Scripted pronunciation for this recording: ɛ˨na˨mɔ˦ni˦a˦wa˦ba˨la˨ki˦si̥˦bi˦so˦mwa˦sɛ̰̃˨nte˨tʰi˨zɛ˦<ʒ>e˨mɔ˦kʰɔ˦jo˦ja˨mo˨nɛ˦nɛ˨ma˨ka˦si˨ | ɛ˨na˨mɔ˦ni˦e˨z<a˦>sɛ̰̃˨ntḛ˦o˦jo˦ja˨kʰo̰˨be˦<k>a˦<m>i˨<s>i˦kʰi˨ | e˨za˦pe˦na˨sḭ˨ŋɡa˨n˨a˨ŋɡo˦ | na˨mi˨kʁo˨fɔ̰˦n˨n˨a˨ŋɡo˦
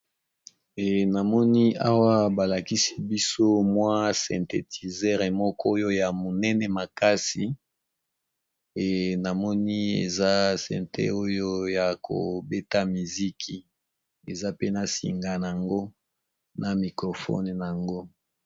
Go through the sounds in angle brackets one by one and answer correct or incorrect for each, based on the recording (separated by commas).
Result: incorrect, correct, incorrect, correct, incorrect